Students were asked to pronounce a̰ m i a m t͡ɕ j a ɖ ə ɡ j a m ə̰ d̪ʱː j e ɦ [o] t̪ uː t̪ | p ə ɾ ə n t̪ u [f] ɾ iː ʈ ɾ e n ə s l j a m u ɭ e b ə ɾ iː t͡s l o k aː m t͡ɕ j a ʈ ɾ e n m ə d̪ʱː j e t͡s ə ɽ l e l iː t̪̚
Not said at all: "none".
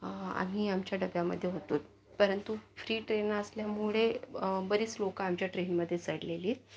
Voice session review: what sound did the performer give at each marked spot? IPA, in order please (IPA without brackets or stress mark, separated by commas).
o, f